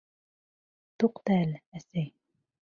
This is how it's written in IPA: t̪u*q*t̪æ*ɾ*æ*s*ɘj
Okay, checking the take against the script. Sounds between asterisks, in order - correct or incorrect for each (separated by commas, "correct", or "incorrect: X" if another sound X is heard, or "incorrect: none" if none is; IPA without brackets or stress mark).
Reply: correct, incorrect: l, correct